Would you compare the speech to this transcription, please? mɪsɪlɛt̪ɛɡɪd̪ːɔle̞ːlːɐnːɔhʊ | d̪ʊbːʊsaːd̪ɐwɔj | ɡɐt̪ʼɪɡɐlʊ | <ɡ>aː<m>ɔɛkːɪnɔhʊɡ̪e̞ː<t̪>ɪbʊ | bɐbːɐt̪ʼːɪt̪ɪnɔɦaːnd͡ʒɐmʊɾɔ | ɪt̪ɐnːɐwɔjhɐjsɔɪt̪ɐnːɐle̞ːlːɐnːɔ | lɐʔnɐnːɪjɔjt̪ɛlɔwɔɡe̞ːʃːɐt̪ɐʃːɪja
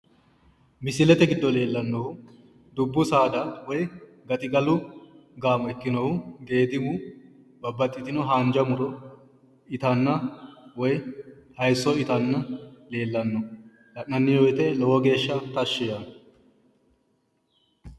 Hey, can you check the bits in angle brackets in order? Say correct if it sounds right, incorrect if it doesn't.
correct, correct, incorrect: d̪

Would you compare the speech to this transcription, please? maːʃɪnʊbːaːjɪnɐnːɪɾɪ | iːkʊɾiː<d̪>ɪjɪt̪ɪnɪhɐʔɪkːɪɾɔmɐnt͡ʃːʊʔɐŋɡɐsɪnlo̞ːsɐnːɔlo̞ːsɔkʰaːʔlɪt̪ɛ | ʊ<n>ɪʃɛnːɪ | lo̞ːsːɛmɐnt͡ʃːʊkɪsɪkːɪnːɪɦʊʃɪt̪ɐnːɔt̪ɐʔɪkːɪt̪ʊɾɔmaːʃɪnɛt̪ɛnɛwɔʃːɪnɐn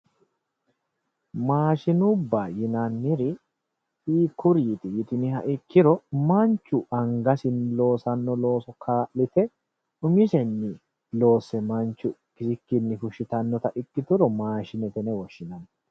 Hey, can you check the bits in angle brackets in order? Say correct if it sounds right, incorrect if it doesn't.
incorrect: t̪, incorrect: m

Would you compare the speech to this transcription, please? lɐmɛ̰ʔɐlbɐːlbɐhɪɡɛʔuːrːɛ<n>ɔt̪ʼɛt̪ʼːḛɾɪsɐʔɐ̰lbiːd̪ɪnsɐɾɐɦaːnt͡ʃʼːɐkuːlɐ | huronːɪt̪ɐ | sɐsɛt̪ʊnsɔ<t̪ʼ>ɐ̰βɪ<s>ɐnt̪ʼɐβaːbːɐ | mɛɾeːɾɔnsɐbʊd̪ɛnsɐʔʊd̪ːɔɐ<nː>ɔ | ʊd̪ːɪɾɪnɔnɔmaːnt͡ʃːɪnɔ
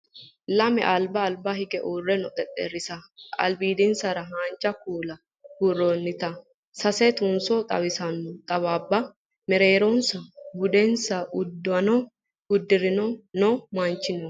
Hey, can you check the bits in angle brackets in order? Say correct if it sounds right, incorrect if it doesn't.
correct, correct, correct, incorrect: n

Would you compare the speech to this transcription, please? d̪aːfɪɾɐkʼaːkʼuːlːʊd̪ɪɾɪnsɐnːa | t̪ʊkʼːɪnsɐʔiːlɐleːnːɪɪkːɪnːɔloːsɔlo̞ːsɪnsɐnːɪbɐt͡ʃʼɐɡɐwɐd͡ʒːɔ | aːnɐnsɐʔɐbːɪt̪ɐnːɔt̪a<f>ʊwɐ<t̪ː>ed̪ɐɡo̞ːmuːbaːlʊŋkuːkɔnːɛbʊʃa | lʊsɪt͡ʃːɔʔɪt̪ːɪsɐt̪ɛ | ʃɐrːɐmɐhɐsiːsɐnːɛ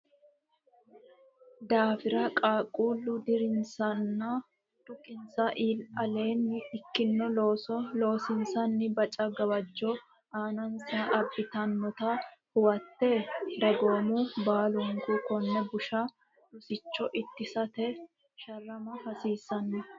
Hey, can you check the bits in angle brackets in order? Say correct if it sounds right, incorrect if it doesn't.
incorrect: h, correct

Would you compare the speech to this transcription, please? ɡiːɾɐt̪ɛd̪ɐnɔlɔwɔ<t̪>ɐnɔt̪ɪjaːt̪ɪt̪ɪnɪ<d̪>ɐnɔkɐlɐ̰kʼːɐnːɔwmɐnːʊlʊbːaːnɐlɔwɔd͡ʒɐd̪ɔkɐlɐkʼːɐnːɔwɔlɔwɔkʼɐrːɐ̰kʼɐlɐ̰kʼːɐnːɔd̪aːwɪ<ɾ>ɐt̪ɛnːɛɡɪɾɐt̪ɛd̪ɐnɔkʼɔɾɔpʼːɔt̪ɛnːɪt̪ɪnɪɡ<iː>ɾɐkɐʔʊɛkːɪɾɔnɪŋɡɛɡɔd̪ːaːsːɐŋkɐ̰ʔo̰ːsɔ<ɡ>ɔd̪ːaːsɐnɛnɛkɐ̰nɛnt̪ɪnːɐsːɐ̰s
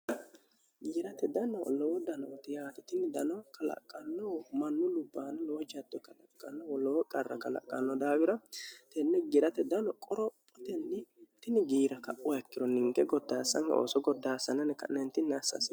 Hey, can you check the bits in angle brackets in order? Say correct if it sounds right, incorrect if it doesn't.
incorrect: d̪, correct, correct, correct, correct

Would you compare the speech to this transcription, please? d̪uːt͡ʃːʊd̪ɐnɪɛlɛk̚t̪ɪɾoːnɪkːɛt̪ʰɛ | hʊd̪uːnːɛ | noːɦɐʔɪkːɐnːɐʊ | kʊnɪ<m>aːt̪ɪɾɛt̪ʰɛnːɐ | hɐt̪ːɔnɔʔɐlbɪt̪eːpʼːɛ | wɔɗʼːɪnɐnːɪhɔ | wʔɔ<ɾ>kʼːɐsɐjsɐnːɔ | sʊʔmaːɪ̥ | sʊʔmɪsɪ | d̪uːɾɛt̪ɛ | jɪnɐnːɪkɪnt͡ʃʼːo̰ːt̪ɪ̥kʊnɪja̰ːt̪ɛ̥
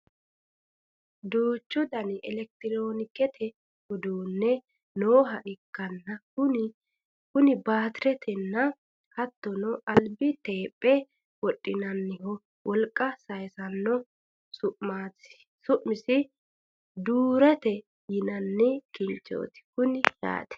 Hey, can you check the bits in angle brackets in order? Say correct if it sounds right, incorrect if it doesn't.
incorrect: b, incorrect: l

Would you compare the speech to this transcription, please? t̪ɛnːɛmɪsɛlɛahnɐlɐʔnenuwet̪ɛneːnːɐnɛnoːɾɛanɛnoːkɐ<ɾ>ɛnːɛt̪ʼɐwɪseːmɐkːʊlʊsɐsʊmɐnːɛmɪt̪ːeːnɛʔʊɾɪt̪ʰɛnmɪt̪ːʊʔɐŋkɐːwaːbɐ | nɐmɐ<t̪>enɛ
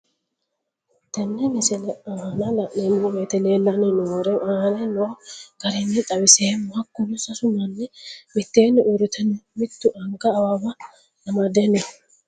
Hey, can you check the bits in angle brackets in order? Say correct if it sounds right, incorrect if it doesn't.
correct, incorrect: d̪

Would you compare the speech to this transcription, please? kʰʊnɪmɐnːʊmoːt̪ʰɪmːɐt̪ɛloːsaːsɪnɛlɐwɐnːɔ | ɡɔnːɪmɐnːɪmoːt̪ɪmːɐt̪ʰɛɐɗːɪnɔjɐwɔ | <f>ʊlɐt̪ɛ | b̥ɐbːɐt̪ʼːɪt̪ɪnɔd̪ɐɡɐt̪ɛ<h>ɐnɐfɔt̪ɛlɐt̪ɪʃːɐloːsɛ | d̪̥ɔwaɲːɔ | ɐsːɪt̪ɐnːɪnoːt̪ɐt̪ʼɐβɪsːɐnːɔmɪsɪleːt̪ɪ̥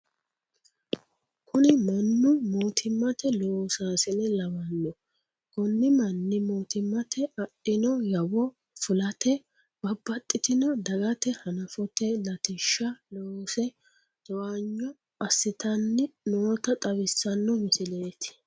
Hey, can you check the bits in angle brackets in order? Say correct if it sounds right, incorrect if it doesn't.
correct, correct

